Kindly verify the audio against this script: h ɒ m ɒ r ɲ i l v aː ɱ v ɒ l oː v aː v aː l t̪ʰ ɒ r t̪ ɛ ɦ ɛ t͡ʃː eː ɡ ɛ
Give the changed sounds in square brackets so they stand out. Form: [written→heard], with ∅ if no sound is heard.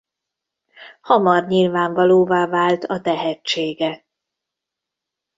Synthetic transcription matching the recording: h ɒ m ɒ r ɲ i l v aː ɱ v ɒ l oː v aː v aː l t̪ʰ ɒ [r→∅] t̪ ɛ ɦ ɛ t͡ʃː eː ɡ ɛ